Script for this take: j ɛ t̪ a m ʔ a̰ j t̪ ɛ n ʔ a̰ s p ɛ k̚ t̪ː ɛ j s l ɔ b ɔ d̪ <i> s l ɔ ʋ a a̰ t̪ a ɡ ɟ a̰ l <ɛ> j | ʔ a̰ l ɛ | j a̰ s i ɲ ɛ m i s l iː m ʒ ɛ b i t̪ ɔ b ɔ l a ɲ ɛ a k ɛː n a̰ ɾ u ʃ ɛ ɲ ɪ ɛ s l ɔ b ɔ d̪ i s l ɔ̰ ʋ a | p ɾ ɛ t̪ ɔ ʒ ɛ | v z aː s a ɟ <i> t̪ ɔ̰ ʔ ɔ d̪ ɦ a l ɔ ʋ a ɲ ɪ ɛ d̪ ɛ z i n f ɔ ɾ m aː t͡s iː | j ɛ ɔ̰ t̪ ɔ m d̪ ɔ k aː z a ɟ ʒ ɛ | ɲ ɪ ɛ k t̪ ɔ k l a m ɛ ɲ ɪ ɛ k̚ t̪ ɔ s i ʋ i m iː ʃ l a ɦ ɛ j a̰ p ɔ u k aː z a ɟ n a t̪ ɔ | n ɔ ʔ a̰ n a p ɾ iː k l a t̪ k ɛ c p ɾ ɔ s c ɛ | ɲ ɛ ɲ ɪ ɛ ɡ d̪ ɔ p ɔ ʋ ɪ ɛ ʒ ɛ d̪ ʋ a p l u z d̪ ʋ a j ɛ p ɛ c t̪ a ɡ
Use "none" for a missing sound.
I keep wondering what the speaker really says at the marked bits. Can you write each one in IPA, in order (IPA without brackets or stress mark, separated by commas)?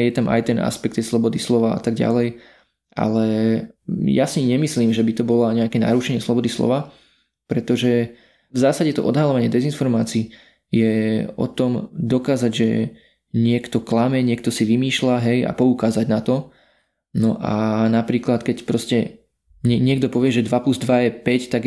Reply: i, ɛ, ɛ